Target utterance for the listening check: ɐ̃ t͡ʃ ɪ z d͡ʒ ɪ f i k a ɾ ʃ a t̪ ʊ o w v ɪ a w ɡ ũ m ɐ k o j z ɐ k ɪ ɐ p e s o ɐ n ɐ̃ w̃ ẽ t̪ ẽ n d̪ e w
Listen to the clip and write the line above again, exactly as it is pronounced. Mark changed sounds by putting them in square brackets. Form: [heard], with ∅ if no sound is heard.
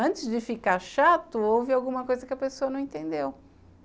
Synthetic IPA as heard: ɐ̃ t͡ʃ ɪ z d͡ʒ ɪ f i k a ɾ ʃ a t̪ ʊ o w v ɪ a w ɡ ũ m ɐ k o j z ɐ k ɪ ɐ p e s o ɐ n ɐ̃ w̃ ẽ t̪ ẽ n d̪ e w